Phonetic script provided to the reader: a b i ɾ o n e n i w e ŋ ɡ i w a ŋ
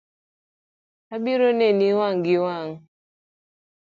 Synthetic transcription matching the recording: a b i ɾ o n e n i w a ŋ ɡ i w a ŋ